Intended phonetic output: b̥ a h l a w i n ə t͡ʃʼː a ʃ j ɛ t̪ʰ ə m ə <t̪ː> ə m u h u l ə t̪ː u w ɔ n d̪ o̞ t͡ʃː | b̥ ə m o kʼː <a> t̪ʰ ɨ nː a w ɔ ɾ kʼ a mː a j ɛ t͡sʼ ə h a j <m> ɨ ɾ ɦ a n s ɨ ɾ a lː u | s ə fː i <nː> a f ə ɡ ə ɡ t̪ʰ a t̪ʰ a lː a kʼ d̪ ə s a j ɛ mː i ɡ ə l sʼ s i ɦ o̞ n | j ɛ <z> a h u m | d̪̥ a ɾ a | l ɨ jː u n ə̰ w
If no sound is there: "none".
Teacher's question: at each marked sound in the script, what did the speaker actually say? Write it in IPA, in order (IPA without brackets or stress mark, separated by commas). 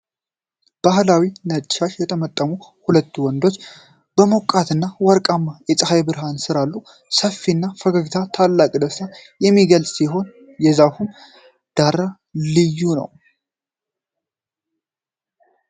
t̪ʼː, a, b, nː, z